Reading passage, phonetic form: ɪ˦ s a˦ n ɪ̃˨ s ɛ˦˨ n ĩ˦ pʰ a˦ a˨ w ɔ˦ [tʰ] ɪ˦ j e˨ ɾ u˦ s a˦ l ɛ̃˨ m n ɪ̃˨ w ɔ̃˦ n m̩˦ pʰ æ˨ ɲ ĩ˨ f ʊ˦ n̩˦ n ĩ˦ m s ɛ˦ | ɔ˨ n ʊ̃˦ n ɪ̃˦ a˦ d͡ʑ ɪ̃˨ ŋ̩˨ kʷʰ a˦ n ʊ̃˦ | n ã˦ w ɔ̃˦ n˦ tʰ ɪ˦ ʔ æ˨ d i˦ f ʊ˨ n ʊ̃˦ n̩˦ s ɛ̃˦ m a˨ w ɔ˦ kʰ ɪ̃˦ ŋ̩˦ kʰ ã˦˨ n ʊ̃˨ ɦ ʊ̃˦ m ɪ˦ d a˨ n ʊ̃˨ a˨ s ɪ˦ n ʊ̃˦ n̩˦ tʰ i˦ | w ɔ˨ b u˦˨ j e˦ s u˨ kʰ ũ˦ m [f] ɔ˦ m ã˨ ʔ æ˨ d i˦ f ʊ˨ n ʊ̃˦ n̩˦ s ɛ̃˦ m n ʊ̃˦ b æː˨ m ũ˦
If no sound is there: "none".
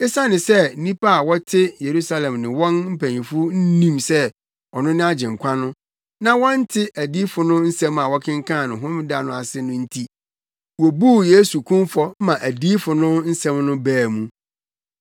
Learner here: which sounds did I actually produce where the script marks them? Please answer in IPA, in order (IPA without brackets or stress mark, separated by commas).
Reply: tʰ, f